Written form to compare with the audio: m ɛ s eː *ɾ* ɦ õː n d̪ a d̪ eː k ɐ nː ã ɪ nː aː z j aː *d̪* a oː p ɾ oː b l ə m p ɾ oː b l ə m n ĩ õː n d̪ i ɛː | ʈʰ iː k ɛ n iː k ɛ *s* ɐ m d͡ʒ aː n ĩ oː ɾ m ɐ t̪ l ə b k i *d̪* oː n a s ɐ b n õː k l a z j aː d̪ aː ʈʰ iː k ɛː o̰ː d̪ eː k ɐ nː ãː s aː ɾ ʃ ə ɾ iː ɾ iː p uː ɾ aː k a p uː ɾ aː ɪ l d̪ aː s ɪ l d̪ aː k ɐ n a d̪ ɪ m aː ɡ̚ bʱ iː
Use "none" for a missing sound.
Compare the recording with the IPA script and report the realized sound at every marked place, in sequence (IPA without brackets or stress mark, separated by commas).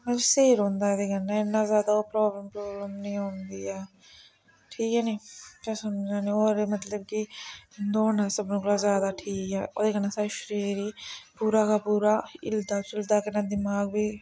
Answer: ɾ, d̪, s, d̪